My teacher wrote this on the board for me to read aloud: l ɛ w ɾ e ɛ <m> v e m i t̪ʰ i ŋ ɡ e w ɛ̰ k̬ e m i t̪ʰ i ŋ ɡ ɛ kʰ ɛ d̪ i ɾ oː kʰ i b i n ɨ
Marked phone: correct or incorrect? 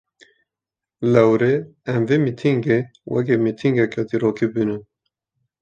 correct